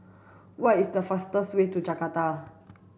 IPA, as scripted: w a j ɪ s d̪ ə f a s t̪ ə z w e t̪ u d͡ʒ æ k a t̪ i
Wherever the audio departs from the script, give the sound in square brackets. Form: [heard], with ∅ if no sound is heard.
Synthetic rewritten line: w a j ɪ s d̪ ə f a s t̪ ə [s] w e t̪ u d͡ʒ [a] k a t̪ [a]